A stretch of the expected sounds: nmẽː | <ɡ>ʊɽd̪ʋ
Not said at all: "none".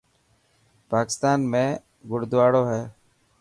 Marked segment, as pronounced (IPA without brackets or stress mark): ɡ